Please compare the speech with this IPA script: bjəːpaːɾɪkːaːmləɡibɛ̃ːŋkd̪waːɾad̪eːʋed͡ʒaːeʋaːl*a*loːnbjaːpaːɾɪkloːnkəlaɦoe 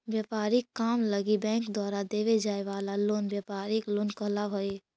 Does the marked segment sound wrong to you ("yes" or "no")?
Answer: no